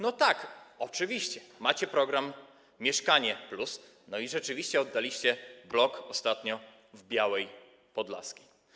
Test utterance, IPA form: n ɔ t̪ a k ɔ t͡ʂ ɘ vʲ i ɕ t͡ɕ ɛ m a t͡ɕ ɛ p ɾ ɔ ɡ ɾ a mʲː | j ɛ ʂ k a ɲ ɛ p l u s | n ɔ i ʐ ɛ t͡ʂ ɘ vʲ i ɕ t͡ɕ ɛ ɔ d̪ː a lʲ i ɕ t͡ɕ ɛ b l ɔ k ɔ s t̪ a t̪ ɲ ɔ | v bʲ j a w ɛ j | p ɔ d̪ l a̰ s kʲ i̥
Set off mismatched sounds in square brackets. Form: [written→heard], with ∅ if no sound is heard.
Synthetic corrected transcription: n ɔ t̪ a k ɔ t͡ʂ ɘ vʲ i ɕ t͡ɕ ɛ m a t͡ɕ ɛ p ɾ ɔ ɡ ɾ a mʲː | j ɛ ʂ k a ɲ ɛ p l u s | n ɔ i ʐ ɛ t͡ʂ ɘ vʲ i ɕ t͡ɕ ɛ ɔ d̪ː a lʲ i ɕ t͡ɕ ɛ b l ɔ k ɔ s t̪ a t̪ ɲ ɔ | v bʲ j a w ɛ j | p ɔ d̪ l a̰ s kʲ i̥